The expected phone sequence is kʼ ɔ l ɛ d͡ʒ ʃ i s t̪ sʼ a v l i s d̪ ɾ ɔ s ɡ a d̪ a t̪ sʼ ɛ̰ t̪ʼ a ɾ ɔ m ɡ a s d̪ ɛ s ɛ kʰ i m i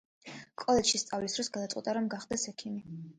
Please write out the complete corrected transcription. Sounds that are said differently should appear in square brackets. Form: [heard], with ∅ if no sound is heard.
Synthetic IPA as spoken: kʼ ɔ l ɛ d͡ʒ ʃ i s t̪ sʼ a v l i s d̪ ɾ ɔ s ɡ a d̪ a t̪ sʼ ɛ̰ t̪ʼ a ɾ ɔ m ɡ a [χ] d̪ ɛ s ɛ kʰ i m i